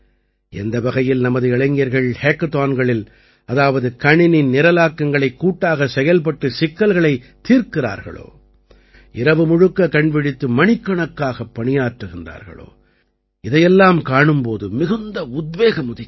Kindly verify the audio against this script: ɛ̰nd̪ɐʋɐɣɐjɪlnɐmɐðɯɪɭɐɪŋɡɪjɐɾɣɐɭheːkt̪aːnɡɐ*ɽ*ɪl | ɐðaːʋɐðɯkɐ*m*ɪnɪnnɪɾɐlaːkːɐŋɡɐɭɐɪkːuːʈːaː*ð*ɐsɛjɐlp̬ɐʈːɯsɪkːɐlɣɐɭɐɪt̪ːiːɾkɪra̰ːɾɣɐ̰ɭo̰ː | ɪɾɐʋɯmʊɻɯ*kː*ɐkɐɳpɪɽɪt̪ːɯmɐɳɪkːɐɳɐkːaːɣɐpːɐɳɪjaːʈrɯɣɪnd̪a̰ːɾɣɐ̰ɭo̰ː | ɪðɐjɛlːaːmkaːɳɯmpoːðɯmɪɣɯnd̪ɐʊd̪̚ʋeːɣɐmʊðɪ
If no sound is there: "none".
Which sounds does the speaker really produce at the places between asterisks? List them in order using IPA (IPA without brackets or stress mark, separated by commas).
ɭ, ɳ, ɣ, kː